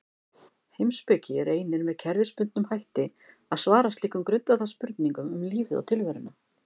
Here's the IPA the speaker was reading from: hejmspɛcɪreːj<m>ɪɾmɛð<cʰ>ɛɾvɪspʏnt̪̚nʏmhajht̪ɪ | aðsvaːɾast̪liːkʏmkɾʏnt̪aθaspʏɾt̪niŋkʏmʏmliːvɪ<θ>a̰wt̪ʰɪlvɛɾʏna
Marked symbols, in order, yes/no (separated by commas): no, yes, no